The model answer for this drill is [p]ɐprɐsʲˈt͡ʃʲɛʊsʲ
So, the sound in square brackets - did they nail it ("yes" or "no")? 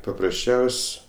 yes